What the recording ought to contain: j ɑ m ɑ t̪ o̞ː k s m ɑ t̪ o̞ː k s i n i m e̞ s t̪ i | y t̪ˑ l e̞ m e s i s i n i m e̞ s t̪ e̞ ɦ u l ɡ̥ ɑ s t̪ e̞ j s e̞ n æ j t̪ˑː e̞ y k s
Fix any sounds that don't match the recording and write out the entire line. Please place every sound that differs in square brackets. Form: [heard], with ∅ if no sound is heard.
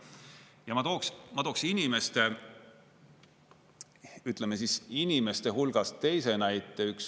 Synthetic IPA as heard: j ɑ m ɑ t̪ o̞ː k s m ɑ t̪ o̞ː k s i n i m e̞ s t̪ [e] | y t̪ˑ l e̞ m e s i s i n i m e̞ s t̪ e̞ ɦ u l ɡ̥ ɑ s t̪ e̞ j s e̞ n æ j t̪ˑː e̞ y k s